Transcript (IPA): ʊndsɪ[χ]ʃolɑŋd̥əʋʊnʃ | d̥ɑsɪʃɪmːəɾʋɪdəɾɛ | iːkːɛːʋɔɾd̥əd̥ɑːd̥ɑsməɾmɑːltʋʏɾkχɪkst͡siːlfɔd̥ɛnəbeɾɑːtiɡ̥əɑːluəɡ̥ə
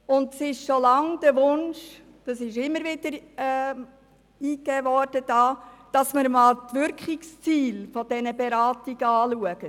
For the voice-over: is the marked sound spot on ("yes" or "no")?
no